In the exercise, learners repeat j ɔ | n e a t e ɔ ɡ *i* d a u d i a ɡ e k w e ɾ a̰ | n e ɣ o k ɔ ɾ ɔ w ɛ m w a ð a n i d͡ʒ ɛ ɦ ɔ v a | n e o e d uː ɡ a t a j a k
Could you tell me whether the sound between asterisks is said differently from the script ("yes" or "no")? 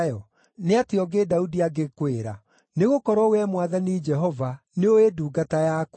yes